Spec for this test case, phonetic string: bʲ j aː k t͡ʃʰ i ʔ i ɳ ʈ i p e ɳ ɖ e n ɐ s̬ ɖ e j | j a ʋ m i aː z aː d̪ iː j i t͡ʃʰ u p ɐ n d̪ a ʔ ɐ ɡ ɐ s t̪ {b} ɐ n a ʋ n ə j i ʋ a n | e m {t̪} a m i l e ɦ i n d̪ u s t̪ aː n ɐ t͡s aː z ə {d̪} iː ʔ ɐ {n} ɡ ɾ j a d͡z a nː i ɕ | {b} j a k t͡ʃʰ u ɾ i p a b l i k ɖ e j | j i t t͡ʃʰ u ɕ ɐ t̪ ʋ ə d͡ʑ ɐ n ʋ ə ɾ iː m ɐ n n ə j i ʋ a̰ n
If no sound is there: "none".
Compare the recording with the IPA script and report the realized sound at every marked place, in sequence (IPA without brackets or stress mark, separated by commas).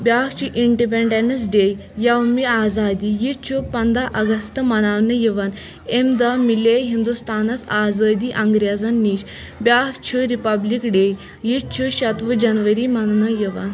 m, d̪, d̪, ŋ, b